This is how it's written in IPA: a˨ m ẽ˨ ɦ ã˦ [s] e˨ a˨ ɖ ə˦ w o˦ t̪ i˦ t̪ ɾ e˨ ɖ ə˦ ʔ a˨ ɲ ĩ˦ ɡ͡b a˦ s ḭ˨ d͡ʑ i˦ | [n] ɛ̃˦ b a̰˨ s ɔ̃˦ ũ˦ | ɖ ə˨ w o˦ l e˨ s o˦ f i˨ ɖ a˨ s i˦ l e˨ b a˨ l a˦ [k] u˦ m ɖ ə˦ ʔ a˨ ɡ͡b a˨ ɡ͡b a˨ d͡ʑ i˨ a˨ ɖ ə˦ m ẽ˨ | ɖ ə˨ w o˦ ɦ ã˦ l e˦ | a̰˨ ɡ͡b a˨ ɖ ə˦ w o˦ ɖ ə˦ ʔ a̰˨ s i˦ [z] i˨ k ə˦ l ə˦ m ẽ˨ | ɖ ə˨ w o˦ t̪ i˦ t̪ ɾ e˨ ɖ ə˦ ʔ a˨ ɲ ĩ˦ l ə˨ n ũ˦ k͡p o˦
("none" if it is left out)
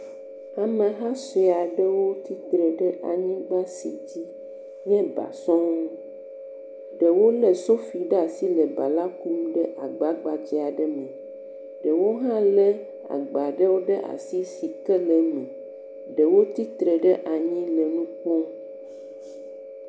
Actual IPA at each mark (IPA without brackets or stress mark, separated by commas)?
s, ɲ, k, s